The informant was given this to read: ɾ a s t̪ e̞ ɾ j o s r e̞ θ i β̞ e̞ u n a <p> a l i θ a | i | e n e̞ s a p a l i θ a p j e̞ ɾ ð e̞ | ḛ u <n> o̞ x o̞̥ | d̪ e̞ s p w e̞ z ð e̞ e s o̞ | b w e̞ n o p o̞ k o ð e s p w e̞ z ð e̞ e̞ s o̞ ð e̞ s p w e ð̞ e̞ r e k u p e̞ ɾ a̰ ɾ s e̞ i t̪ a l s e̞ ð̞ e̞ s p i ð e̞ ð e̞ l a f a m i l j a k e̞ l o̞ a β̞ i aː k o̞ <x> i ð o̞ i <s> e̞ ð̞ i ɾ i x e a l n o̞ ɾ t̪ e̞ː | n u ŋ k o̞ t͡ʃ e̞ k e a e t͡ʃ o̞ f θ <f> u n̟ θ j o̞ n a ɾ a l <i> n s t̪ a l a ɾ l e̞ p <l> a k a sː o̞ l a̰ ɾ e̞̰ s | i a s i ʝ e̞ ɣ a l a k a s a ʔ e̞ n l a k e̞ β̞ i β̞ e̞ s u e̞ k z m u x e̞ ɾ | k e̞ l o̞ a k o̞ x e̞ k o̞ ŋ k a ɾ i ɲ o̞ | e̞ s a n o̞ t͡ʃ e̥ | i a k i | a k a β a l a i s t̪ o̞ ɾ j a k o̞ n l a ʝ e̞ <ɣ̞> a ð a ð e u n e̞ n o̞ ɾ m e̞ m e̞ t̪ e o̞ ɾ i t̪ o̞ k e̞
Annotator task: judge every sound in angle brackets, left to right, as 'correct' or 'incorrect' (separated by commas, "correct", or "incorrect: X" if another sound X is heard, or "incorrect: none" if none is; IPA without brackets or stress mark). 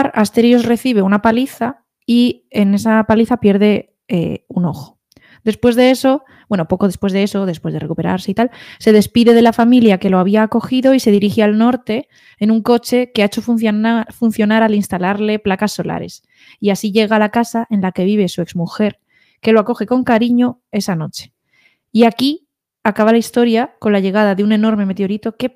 correct, correct, correct, correct, correct, correct, correct, correct